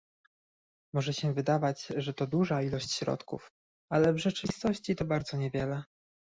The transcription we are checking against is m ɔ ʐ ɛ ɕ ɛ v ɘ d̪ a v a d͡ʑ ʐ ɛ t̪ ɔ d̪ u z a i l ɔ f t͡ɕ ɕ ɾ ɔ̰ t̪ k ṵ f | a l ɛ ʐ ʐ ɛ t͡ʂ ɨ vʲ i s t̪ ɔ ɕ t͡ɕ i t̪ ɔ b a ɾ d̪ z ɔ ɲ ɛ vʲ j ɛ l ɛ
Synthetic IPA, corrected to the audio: m ɔ ʐ ɛ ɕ ɛ v ɘ d̪ a v a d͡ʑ ʐ ɛ t̪ ɔ d̪ u ʐ a i l ɔ ɕ t͡ɕ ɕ ɾ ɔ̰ t̪ k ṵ f | a l ɛ v ʐ ɛ t͡ʂ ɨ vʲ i s t̪ ɔ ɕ t͡ɕ i t̪ ɔ b a ɾ d̪ z ɔ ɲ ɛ vʲ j ɛ l ɛ